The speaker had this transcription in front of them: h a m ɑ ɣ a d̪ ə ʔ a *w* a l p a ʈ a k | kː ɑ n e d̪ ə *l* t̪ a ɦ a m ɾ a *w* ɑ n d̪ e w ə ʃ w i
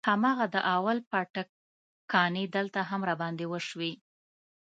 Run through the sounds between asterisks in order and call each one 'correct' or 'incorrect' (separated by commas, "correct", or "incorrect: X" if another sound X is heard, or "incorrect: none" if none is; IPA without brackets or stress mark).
correct, correct, incorrect: b